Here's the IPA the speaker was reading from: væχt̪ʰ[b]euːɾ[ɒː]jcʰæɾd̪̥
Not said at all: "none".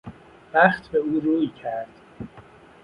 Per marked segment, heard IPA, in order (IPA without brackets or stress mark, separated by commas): b, uː